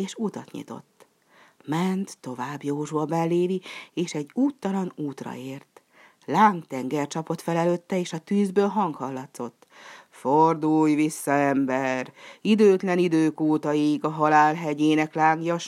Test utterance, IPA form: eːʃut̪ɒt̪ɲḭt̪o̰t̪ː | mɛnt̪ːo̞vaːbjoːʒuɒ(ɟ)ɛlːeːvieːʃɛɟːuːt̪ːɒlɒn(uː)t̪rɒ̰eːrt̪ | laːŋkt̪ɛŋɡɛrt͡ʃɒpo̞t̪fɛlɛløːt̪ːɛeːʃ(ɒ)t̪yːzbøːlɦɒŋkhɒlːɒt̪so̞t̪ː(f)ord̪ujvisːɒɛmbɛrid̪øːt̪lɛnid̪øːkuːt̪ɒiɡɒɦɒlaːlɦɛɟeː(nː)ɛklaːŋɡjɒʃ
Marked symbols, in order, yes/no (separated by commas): no, yes, yes, yes, no